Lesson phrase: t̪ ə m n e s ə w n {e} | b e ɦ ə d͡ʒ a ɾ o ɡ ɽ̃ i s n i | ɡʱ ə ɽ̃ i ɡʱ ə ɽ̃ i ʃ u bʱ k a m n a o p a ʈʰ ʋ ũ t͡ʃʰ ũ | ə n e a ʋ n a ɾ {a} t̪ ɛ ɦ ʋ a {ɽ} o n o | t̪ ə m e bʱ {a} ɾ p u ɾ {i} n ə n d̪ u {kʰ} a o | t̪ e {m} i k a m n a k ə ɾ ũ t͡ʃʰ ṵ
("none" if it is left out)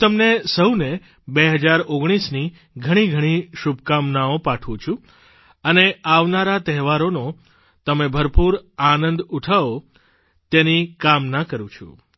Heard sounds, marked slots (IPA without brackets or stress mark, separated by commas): e, a, ɾ, ə, a, ʈʰ, n